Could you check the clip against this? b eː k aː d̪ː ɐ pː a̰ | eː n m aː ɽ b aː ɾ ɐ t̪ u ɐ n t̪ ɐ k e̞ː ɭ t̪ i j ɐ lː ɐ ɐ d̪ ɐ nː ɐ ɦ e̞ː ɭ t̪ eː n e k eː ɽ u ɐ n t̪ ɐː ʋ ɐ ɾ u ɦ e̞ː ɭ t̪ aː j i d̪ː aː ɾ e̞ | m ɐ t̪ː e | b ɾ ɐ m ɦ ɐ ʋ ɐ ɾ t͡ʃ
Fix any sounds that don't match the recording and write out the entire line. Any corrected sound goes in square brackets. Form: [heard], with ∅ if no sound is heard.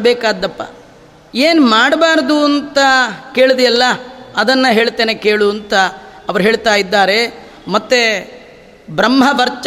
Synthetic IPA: b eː k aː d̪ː ɐ pː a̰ | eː n m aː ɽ b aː ɾ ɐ [d̪] u ɐ n t̪ ɐ k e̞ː ɭ [d̪] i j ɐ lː ɐ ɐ d̪ ɐ nː ɐ ɦ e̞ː ɭ t̪ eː n e k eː [ɭ] u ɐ n t̪ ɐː ʋ ɐ ɾ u ɦ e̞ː ɭ t̪ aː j i d̪ː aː ɾ e̞ | m ɐ t̪ː e | b ɾ ɐ m ɦ ɐ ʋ ɐ ɾ t͡ʃ